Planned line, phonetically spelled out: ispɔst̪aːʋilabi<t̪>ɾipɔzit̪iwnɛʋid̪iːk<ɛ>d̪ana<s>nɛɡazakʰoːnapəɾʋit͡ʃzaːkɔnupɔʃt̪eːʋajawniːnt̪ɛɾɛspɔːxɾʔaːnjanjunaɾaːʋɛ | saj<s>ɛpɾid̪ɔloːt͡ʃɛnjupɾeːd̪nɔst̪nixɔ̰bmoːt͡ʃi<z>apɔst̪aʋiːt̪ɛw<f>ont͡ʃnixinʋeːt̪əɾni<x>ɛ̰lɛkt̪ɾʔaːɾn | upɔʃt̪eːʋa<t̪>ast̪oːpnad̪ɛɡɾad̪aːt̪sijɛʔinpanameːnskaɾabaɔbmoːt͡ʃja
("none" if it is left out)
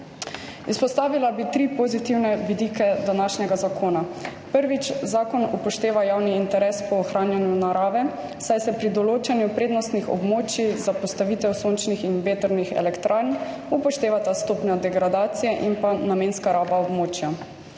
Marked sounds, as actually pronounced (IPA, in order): t̪, ɛ, ʃ, s, z, s, x, t̪

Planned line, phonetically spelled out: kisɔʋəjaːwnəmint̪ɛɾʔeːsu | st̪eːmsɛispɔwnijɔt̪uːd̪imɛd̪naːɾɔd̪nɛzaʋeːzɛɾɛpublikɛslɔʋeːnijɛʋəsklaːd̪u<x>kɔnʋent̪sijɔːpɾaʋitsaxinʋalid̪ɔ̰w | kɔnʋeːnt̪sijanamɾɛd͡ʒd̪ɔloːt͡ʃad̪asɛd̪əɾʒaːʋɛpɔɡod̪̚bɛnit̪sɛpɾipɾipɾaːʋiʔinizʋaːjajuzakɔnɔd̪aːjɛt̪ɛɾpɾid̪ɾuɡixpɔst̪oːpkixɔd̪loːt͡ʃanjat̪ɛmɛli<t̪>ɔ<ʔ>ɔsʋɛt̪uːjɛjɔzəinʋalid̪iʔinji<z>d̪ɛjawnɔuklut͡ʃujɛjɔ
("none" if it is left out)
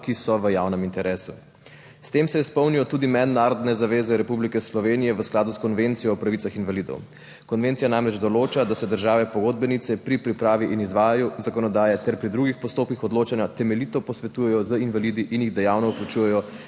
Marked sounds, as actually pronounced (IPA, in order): s, t̪, p, ɣ

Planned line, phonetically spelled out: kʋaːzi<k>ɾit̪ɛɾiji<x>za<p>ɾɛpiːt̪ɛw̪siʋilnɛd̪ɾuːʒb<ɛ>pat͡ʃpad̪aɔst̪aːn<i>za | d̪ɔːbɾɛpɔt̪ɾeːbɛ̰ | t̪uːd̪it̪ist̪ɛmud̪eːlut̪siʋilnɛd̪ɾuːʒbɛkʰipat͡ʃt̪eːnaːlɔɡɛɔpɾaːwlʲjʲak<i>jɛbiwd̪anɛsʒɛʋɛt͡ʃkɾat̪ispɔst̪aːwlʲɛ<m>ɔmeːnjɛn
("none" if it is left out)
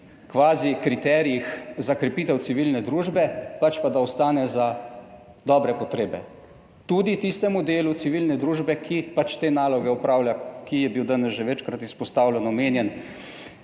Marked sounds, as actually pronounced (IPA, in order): k, x, k, ɛ, ɛ, i, n

